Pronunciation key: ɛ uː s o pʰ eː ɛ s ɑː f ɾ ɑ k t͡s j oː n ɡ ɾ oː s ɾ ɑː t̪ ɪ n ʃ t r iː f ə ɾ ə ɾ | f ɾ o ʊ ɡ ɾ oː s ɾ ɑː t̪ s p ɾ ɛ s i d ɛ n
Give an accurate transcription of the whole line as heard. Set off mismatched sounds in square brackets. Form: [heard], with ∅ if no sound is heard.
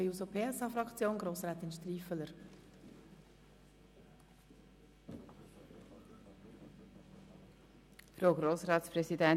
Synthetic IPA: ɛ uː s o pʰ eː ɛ s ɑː f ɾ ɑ k t͡s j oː n ɡ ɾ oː s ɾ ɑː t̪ ɪ n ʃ t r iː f ə [l] ə ɾ | f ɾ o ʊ ɡ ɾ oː s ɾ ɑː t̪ s p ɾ ɛ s i d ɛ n